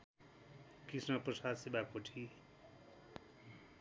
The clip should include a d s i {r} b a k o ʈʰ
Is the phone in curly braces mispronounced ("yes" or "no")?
yes